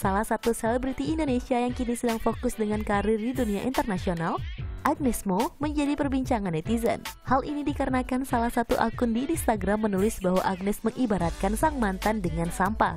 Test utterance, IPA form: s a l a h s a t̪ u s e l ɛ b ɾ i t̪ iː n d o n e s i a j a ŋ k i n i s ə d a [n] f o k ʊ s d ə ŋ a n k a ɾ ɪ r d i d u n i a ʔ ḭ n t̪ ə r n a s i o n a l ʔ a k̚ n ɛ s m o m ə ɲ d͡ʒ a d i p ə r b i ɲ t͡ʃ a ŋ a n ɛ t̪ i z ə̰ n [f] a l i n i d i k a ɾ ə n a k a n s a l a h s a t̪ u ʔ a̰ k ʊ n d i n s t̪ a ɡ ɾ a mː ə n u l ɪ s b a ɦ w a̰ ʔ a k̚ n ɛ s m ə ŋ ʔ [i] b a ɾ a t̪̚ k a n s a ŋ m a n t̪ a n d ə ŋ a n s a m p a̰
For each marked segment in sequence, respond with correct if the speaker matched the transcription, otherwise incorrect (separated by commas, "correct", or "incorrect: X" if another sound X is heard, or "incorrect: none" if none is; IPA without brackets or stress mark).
incorrect: ŋ, incorrect: h, correct